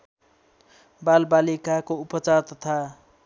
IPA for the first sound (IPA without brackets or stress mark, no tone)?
b